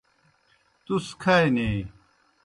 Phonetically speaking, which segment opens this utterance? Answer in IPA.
t̪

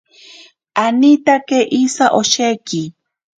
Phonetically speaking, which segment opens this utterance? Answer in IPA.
a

